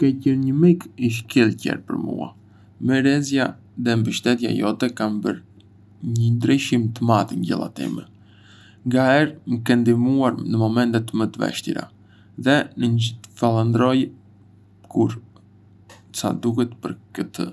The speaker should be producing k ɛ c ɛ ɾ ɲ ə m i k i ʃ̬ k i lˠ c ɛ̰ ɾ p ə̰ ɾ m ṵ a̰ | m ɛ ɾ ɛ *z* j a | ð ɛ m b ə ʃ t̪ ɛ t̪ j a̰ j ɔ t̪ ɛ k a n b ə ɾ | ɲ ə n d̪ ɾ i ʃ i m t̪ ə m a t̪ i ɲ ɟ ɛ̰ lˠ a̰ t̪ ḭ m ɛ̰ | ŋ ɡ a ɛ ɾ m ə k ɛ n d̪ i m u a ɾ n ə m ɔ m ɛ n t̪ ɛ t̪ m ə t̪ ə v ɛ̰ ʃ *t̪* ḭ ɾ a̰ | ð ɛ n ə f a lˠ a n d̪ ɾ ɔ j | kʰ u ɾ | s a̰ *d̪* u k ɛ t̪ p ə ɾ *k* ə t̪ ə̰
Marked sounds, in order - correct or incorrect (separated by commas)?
correct, correct, correct, correct